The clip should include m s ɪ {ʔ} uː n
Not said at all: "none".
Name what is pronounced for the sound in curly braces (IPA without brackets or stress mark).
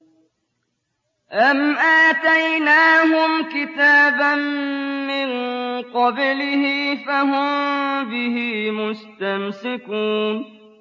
k